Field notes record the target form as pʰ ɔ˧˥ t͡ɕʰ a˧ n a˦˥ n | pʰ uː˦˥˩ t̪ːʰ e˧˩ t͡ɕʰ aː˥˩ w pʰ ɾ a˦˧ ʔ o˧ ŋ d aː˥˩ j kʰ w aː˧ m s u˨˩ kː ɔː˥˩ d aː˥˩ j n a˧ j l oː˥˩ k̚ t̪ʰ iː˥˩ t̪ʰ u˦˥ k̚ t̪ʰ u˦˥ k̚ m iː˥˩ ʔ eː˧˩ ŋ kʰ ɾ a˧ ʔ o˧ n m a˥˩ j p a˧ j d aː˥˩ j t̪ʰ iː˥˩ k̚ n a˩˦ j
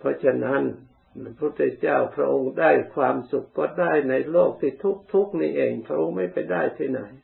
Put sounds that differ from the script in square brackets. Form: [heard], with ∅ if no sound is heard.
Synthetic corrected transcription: pʰ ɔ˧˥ t͡ɕʰ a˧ n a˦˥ n | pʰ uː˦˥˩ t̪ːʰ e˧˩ [t͡ɕ] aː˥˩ w pʰ ɾ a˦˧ ʔ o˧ ŋ d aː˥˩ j kʰ w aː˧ m s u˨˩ kː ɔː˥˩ d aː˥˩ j n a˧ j l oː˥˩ k̚ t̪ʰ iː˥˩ t̪ʰ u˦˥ k̚ t̪ʰ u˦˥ k̚ [n] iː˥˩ ʔ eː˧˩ ŋ [pʰ] ɾ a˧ ʔ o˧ [ŋ] m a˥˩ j p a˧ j d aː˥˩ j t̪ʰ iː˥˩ [∅] n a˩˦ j